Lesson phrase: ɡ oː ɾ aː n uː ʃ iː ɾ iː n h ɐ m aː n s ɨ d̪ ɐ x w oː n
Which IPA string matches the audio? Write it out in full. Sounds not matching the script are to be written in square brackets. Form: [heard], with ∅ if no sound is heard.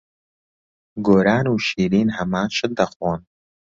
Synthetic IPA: ɡ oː ɾ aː n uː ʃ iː ɾ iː n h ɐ m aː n [ʃ] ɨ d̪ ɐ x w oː n